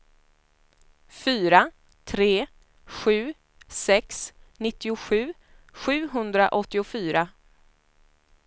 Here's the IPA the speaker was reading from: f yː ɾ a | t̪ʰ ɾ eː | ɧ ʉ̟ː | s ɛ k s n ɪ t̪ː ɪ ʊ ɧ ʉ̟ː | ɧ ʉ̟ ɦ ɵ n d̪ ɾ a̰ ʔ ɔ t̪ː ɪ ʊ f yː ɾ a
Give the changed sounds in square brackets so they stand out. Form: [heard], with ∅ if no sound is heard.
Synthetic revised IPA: f yː ɾ a | t̪ʰ ɾ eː | ɧ ʉ̟ː | s ɛ k s n ɪ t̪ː ɪ ʊ ɧ ʉ̟ː | ɧ [ʉ̟ː] ɦ ɵ n d̪ ɾ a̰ ʔ ɔ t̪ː ɪ ʊ f yː ɾ a